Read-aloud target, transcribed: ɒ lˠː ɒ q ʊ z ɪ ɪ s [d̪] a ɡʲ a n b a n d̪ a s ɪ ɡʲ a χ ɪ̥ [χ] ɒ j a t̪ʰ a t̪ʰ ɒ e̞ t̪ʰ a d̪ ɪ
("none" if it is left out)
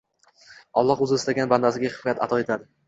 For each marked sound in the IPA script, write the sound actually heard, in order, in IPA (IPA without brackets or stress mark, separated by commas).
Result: t̪, f